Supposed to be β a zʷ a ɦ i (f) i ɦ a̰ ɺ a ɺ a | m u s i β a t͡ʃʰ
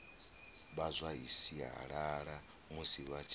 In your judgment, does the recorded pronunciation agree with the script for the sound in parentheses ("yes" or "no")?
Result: no